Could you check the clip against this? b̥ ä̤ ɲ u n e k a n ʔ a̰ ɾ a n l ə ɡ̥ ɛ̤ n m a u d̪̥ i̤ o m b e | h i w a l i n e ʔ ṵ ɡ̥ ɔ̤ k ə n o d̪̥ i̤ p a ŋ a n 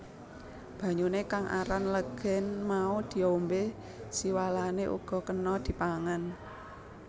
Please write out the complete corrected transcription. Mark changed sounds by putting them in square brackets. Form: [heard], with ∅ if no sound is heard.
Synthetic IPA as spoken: b̥ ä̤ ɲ u n e k a [ŋ] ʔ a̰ ɾ a n l ə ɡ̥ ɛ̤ n m a u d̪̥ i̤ o m b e | [s] i w a l [a] n e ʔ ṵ ɡ̥ ɔ̤ k ə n [ɔ] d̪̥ i̤ p a ŋ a n

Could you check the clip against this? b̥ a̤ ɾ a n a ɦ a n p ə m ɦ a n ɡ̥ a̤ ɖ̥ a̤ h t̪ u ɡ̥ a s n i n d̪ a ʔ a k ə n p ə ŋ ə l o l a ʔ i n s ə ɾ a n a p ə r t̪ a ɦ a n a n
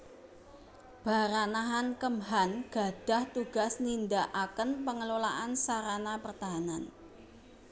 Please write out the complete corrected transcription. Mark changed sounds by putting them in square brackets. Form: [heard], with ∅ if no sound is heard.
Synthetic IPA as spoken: b̥ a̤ ɾ a n a ɦ a n [k] ə m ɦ a n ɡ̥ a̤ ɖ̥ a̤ h t̪ u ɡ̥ a s n i n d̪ a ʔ a k ə n p ə ŋ ə l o l a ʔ [a] n s [a] ɾ a n a p ə r t̪ a ɦ a n a n

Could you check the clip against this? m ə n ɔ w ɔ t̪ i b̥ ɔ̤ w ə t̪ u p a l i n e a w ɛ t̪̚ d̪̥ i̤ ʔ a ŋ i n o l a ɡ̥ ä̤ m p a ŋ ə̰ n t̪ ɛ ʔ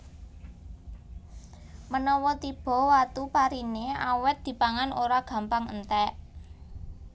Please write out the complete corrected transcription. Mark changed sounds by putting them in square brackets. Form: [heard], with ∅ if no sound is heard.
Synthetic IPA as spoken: m ə n ɔ w ɔ t̪ i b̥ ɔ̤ w [a] t̪ u p a [ɾ] i n e a w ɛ t̪̚ d̪̥ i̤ [p] a ŋ [a] n o [ɾ] a ɡ̥ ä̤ m p a ŋ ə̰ n t̪ ɛ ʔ

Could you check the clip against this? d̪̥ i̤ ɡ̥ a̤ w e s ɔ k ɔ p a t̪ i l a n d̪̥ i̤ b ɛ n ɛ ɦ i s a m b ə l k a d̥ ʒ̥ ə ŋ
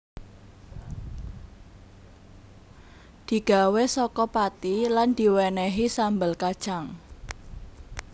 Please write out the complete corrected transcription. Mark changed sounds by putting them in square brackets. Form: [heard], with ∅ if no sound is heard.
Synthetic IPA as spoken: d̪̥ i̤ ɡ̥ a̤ w e s ɔ k ɔ p a t̪ i l a n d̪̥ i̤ [w] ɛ n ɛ ɦ i s a m b ə l k a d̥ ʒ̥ [a] ŋ

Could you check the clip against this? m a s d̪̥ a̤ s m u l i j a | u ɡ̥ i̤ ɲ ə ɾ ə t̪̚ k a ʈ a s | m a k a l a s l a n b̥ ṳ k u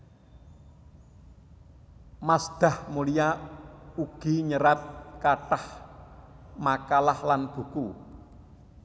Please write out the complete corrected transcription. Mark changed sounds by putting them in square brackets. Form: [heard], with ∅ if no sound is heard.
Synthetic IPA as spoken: m a s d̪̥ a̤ [h] m u l i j a | u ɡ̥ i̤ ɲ ə ɾ [a] t̪̚ k a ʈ a [h] | m a k a l a [h] l a n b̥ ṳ k u

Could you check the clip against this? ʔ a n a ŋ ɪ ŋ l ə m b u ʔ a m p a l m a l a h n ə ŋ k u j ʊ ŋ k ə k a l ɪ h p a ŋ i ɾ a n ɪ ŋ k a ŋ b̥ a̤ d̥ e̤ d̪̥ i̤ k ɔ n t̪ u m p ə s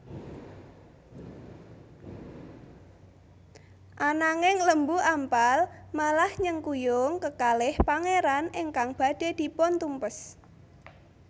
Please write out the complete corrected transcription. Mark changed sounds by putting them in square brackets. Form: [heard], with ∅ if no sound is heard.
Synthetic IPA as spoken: ʔ a n a ŋ ɪ ŋ l ə m b u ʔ a m p a l m a l a h [ɲ] ə ŋ k u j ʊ ŋ k ə k a l ɪ h p a ŋ [e] ɾ a n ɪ ŋ k a ŋ b̥ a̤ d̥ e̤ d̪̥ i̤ [p] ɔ n t̪ u m p ə s

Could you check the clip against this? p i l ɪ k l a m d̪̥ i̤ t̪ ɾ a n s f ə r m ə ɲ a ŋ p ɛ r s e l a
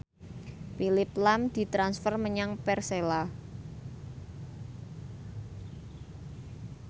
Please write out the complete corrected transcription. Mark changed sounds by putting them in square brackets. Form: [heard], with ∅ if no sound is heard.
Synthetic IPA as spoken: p i l ɪ [p] l a m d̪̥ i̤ t̪ ɾ a n s f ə r m ə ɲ a ŋ p ɛ r s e l a

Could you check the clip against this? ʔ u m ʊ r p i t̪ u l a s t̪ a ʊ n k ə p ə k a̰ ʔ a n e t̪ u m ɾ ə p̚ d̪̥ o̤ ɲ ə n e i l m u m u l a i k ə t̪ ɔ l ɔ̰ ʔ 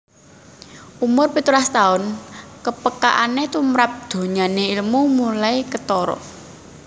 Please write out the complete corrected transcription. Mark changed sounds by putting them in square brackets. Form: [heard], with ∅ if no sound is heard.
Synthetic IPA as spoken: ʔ u m ʊ r p i t̪ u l a s t̪ a ʊ n k ə p ə k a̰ ʔ a n e t̪ u m ɾ [a] p̚ d̪̥ o̤ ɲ [a] n e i l m u m u l a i k ə t̪ ɔ [ɾ] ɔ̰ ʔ

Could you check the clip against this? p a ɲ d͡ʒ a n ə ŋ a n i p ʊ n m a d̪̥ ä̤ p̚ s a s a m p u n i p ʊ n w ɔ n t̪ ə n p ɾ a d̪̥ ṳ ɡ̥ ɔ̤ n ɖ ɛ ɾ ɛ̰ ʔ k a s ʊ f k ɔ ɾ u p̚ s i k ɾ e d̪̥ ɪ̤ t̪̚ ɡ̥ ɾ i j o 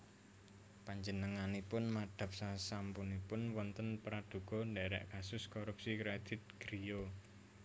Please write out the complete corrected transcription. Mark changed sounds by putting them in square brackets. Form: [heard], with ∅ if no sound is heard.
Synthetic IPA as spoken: p a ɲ d͡ʒ [ə] n ə ŋ a n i p ʊ n m a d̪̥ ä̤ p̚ s a s a m p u n i p ʊ n w ɔ n t̪ ə n p ɾ a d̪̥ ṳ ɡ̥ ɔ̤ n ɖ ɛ ɾ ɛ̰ ʔ k a s ʊ [s] k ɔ ɾ u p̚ s i k ɾ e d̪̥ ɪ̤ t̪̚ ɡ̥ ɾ i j o

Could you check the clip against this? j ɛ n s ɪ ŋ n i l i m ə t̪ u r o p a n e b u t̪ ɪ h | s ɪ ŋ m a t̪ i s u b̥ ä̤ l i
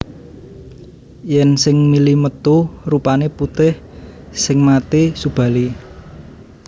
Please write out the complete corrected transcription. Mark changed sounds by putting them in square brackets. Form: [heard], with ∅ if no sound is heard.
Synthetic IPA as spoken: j ɛ n s ɪ ŋ [m] i l i m ə t̪ u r [u] p a n e [p] u t̪ ɪ h | s ɪ ŋ m a t̪ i s u b̥ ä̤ l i

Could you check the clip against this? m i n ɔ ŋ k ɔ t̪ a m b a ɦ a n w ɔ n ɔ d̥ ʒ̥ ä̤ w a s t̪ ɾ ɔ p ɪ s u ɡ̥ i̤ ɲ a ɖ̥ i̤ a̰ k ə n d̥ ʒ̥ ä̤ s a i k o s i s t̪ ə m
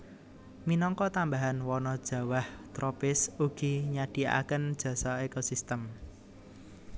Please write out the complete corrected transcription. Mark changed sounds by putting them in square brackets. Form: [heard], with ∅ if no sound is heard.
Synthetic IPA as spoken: m i n ɔ ŋ k ɔ t̪ a m b a ɦ a n w ɔ n ɔ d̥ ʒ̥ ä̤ w a [h] t̪ ɾ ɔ p ɪ s u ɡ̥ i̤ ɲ a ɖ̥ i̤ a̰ k ə n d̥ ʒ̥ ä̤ s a [e] k o s i s t̪ ə m

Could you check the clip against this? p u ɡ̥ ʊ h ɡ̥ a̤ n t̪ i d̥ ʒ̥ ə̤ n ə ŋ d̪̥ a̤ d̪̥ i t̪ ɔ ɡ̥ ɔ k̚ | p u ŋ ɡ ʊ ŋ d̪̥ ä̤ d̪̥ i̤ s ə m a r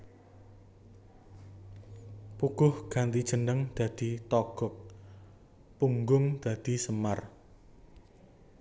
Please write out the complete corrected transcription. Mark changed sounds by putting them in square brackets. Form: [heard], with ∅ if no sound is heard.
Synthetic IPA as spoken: p u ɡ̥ ʊ h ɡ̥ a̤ n t̪ i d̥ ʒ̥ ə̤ n ə ŋ d̪̥ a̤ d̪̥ i t̪ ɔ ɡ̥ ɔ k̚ | p u ŋ ɡ ʊ ŋ d̪̥ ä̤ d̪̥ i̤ s ə m a r

